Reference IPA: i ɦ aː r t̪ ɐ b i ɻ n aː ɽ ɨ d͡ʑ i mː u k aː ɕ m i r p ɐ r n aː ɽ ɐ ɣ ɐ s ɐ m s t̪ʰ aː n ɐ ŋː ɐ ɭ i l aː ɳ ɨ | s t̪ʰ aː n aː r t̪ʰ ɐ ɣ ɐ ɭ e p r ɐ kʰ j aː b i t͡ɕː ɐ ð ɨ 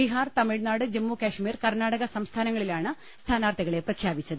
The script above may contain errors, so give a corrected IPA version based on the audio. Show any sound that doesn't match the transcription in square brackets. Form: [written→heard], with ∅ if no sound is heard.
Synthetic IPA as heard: i ɦ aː r t̪ ɐ [b→m] i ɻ n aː ɽ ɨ d͡ʑ [i→e] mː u k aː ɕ m [i→iː] r [p→k] ɐ r n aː ɽ ɐ ɣ ɐ s ɐ m s t̪ʰ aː n ɐ ŋː ɐ ɭ i l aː ɳ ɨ | s t̪ʰ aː n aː r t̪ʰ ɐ ɣ ɐ ɭ e p r ɐ kʰ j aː b i t͡ɕː ɐ ð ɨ